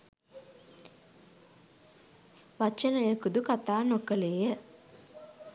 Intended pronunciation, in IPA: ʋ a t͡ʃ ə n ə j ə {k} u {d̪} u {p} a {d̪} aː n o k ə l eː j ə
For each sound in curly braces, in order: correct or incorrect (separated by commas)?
correct, correct, incorrect, incorrect